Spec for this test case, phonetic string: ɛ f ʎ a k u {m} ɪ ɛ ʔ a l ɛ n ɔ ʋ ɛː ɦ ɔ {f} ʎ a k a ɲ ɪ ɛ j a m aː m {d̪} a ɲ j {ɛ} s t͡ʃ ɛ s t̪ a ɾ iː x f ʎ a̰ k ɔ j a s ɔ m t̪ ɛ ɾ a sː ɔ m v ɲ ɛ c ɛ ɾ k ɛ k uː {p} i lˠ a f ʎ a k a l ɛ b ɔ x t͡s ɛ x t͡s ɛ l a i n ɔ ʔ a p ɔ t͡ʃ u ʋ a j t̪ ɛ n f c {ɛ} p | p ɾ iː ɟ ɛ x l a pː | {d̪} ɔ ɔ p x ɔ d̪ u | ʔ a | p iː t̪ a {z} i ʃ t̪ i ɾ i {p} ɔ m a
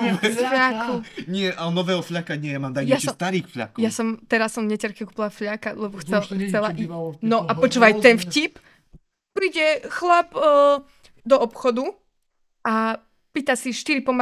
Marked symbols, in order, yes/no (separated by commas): no, yes, yes, no, yes, no, yes, no, yes